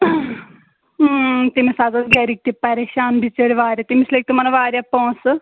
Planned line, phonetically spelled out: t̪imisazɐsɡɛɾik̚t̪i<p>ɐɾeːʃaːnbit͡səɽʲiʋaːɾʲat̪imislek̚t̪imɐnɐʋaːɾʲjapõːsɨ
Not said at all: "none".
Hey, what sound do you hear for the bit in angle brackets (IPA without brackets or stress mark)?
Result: p